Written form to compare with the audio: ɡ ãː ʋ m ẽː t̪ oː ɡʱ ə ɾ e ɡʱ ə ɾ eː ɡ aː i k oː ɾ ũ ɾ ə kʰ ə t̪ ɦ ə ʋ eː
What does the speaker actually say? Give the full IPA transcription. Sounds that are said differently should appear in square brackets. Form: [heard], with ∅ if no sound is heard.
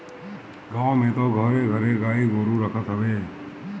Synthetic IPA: ɡ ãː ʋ m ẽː t̪ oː ɡʱ ə ɾ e ɡʱ ə ɾ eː ɡ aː i [ɡ] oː ɾ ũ ɾ ə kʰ ə t̪ ɦ ə ʋ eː

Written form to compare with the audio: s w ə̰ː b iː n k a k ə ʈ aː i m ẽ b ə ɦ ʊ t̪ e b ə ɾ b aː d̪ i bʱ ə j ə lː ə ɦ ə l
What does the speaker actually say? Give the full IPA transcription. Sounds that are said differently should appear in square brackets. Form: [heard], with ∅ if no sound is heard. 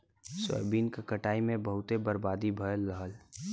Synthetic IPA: s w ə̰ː b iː n k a k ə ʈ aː i m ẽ b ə ɦ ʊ t̪ e b ə ɾ b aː d̪ i bʱ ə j ə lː ə ɦ ə l

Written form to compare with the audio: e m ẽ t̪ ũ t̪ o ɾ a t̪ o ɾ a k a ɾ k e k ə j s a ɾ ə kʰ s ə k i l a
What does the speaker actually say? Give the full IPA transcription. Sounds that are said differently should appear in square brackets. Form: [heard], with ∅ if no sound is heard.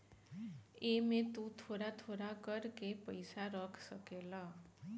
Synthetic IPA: e m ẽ t̪ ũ [t̪ʰ] o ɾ a [t̪ʰ] o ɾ a k [ə] ɾ k e [p] ə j s a ɾ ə kʰ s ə k [e] l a

